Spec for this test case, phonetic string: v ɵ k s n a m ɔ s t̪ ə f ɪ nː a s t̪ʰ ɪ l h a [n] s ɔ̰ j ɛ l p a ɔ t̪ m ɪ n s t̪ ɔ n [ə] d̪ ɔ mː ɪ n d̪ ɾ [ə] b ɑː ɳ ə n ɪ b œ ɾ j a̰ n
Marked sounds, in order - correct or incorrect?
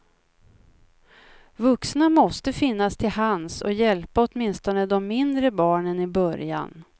correct, correct, correct

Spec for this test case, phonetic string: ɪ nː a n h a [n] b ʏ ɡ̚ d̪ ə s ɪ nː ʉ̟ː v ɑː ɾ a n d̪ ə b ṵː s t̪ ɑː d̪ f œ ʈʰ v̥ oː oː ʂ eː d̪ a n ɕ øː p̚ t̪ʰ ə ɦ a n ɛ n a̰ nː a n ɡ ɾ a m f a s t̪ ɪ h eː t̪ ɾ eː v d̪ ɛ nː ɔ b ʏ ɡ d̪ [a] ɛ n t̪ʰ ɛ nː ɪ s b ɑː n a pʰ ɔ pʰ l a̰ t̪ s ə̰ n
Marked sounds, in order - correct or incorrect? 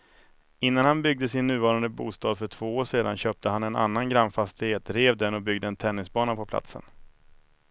correct, incorrect

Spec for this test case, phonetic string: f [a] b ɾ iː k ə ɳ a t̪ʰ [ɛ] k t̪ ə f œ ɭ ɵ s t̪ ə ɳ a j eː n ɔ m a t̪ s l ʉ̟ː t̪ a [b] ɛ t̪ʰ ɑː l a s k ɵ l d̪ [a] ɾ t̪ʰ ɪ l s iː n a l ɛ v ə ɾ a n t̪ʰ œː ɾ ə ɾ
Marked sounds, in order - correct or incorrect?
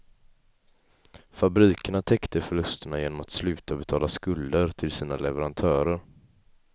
correct, correct, correct, incorrect

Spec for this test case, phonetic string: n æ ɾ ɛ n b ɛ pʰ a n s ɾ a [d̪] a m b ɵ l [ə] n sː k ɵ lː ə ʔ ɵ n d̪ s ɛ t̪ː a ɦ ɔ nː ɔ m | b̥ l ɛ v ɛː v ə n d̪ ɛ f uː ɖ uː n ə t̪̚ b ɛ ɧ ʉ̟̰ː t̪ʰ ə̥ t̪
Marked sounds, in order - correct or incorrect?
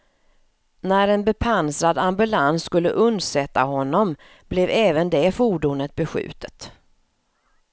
correct, incorrect

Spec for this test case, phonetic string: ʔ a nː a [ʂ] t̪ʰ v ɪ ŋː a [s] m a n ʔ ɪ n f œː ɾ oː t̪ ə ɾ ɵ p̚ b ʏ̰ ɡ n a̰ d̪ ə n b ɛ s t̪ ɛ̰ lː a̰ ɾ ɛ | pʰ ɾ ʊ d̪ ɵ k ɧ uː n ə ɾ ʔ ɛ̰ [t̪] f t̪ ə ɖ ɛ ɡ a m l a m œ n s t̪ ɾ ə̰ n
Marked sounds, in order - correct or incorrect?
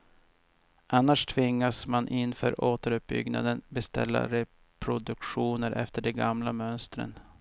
correct, correct, incorrect

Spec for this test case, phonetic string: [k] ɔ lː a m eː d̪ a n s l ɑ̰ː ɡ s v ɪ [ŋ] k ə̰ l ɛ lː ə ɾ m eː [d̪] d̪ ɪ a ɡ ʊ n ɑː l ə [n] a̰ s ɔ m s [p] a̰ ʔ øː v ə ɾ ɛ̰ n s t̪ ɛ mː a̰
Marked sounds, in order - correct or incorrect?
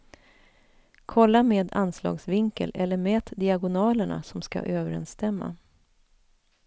incorrect, correct, incorrect, incorrect, incorrect

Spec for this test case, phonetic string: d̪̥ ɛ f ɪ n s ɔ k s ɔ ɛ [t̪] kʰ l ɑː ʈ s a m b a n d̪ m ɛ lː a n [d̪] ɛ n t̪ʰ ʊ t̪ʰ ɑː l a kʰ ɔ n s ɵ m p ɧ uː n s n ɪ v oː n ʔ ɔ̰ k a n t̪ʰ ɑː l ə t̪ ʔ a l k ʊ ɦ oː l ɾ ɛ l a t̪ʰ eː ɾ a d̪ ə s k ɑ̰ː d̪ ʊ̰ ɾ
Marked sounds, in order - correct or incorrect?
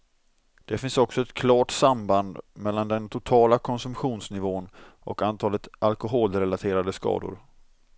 correct, correct

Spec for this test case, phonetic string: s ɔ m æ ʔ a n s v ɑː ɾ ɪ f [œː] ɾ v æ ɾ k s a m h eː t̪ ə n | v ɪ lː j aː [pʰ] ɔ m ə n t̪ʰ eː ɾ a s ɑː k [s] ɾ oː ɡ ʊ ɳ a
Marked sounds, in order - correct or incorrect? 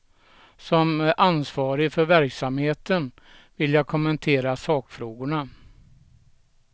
incorrect, incorrect, incorrect

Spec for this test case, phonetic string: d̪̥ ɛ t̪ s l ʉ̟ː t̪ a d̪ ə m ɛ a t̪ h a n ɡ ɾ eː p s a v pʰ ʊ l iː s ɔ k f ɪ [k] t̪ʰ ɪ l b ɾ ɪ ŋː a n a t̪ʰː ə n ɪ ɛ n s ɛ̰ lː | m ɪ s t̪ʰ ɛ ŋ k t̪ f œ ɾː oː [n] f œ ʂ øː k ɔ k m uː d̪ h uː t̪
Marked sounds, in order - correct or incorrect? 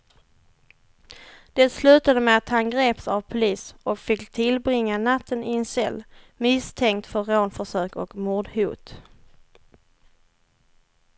correct, correct

